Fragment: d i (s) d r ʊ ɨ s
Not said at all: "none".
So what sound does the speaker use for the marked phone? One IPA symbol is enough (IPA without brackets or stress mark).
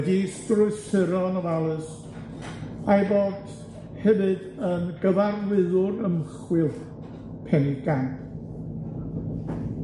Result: s